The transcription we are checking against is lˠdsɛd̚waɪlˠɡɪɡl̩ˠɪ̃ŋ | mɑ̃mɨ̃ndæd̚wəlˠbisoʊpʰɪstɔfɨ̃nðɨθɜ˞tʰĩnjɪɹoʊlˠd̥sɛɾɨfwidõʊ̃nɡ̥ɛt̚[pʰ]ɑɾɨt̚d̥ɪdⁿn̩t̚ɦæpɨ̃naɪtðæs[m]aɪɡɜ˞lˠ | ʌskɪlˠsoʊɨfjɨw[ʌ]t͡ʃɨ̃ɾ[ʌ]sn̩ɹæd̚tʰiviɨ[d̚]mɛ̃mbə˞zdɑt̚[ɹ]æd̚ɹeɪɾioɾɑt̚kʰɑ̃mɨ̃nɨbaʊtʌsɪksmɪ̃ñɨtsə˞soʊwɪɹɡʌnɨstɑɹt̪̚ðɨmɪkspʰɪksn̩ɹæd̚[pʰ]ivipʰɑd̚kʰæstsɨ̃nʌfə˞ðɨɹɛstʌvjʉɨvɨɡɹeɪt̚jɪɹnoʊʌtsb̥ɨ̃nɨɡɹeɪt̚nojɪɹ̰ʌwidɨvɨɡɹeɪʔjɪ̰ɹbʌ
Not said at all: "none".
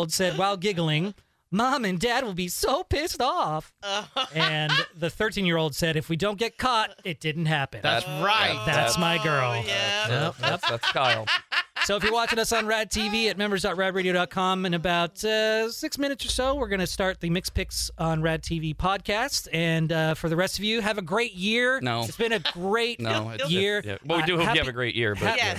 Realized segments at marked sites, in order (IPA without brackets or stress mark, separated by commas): kʰ, m, ɑ, ʌ, t̚, ɹ, tʰ